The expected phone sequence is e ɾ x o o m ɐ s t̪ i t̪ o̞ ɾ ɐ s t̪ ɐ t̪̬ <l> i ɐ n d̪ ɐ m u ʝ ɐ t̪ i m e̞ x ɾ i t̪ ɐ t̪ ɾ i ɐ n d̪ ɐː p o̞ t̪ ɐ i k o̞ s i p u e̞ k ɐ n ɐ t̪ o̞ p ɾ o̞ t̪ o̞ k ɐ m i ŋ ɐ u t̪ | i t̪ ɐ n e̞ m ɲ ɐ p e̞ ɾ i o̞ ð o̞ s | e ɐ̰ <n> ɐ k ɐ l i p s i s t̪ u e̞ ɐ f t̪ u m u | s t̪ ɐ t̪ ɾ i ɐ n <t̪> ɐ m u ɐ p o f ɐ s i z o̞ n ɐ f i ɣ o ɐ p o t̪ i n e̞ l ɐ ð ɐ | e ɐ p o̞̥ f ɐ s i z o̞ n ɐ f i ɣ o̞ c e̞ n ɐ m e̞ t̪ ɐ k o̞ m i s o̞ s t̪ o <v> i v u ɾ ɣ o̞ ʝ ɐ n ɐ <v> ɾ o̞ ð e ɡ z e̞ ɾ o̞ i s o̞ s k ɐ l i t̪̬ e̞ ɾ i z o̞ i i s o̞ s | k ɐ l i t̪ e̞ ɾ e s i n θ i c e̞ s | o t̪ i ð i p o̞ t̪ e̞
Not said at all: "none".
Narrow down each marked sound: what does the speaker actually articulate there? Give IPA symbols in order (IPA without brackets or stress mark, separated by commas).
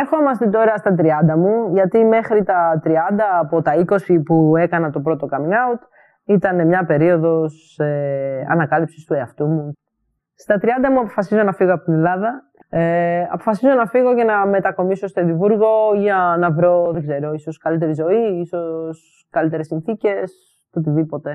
ɾ, n, d̪, ð, v